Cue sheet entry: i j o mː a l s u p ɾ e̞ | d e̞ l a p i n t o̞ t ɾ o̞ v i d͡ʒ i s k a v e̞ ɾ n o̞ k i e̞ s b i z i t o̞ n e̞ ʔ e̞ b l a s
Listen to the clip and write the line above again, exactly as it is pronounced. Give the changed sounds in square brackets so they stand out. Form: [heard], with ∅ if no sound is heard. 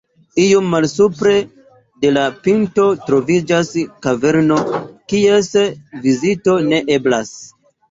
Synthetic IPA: i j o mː a l s u p ɾ e̞ | d e̞ l a p i n t o̞ t ɾ o̞ v i d͡ʒ [a] s k a v e̞ ɾ n o̞ k i e̞ s [v] i z i t o̞ n e̞ ʔ e̞ b l a s